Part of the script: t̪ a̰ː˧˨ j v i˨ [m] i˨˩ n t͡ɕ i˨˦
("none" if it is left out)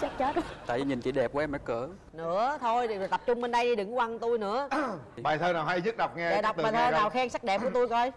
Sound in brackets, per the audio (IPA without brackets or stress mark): ɲ